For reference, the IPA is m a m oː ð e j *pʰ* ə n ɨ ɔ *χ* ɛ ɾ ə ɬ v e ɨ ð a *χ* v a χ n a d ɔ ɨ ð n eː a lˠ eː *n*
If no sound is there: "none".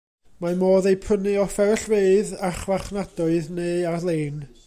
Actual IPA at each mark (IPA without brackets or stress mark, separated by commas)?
pʰ, f, χ, n